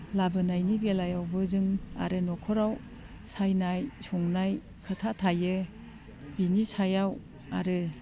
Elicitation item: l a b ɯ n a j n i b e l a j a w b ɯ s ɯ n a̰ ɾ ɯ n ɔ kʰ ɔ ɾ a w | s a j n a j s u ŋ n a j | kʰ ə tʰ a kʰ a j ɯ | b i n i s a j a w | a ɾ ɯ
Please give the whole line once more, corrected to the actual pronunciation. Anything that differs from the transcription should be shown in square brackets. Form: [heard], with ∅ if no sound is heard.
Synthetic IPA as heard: l a b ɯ n a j n i b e l a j a w b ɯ [z] ɯ [ŋ] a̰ ɾ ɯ n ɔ kʰ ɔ ɾ a w | s a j n a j s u ŋ n a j | kʰ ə tʰ a [tʰ] a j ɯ | b i n i s a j a w | a ɾ ɯ